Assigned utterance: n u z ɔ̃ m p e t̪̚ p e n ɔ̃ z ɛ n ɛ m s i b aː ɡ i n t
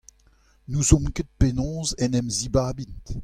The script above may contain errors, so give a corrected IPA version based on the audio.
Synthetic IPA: n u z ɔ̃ m k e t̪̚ p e n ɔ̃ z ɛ n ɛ m z i b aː b i n t